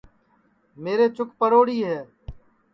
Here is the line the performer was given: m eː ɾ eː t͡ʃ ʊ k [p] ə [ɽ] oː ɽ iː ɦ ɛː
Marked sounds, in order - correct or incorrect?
correct, incorrect

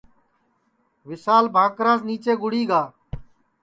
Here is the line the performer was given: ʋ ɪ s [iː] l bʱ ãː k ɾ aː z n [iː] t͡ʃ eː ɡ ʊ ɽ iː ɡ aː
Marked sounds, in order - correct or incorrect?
incorrect, correct

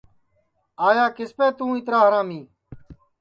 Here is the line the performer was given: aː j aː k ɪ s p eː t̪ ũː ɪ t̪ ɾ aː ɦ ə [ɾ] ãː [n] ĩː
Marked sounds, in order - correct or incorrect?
correct, incorrect

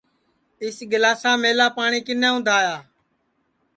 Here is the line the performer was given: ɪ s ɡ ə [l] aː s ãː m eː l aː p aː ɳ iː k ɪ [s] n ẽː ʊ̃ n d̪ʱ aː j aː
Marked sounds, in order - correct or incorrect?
correct, incorrect

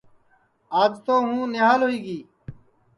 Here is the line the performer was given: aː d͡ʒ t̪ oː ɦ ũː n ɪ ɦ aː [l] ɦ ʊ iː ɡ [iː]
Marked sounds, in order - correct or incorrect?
correct, correct

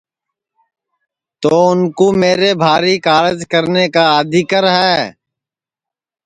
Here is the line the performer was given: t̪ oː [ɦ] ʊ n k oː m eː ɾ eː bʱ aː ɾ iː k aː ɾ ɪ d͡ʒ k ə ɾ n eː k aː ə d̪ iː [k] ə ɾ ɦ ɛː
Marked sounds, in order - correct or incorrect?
incorrect, correct

